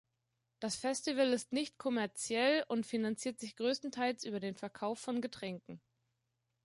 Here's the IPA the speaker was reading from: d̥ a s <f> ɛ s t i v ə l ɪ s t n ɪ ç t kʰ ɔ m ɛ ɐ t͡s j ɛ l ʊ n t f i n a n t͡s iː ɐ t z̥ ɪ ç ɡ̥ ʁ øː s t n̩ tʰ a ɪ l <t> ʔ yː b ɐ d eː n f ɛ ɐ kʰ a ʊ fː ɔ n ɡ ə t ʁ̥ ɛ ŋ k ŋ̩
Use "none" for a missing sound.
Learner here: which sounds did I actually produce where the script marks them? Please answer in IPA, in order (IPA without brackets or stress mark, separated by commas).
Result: f, s